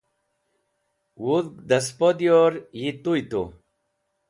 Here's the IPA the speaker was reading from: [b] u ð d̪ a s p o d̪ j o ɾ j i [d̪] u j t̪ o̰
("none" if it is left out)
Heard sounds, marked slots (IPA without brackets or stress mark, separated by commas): w, t̪